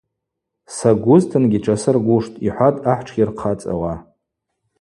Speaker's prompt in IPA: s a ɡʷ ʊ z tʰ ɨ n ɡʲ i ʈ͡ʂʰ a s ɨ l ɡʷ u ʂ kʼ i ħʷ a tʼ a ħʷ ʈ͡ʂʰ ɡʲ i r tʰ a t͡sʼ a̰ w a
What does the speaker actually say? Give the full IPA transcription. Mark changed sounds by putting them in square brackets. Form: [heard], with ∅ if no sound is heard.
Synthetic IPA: s a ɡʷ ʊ z tʰ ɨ n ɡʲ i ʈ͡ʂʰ a s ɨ [r] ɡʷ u ʂ [tʼ] i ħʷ a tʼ a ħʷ ʈ͡ʂʰ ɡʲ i r [qʰ] a t͡sʼ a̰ w a